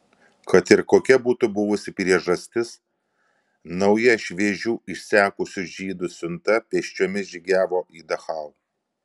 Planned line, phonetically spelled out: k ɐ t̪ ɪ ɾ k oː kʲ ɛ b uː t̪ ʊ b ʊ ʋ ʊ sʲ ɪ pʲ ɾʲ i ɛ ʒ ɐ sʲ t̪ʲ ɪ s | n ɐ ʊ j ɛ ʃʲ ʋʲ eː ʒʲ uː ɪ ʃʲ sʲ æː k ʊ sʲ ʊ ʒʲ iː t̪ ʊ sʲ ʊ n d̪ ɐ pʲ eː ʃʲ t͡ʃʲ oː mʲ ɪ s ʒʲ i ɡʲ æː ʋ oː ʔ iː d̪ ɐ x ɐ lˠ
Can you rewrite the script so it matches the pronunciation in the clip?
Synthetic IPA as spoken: k ɐ t̪ ɪ ɾ k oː kʲ ɛ b uː t̪ ʊ b ʊ ʋ ʊ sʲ ɪ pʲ ɾʲ i ɛ ʒ ɐ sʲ t̪ʲ ɪ s | n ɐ ʊ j ɛ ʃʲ ʋʲ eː ʒʲ uː ɪ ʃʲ sʲ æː k ʊ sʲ ʊ ʒʲ iː d̪ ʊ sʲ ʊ n t̪ ɐ pʲ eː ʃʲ t͡ʃʲ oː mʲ ɪ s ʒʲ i ɡʲ æː ʋ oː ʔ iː d̪ ɐ x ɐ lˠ